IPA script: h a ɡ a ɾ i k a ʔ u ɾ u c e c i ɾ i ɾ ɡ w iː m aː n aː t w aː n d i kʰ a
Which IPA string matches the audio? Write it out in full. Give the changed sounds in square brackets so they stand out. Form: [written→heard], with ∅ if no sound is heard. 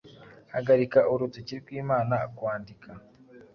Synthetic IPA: h a ɡ a ɾ i k a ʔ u ɾ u [c→t] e c i ɾ i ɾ ɡ w iː m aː n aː [t→k] w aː n d i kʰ a